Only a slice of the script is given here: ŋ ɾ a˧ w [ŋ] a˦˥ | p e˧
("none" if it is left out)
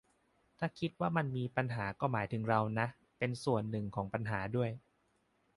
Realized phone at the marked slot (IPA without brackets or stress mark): n